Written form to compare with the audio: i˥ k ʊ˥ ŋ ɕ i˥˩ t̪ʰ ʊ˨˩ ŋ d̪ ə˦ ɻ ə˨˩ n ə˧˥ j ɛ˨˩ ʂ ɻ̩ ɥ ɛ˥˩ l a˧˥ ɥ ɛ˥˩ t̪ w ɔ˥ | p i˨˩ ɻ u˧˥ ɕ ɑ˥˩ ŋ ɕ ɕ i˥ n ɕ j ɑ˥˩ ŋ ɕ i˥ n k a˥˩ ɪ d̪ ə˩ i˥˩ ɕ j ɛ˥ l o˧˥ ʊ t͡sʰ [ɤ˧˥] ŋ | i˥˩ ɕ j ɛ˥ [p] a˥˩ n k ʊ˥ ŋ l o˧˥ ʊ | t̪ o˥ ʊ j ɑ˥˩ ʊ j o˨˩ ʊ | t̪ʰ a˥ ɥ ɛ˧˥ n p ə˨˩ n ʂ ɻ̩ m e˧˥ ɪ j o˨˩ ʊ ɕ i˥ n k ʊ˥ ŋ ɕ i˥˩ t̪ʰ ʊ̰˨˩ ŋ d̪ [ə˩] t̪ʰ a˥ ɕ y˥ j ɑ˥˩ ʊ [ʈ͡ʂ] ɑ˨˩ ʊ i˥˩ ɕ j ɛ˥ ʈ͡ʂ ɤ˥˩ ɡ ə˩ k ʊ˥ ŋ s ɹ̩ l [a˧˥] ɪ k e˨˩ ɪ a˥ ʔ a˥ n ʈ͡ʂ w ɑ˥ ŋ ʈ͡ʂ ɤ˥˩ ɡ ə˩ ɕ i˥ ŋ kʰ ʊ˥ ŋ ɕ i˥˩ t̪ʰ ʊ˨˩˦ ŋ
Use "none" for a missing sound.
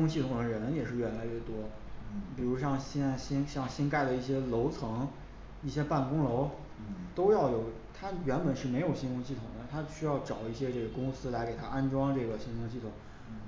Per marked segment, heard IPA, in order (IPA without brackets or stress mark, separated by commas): ɤ˧˥, p, ə˦, ʈ͡ʂ, a˧˥